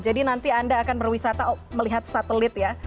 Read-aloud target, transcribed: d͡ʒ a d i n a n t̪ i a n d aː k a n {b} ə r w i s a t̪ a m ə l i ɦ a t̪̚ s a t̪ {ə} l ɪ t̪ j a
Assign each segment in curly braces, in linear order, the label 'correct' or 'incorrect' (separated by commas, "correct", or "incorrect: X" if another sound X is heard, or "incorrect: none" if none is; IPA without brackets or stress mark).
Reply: correct, correct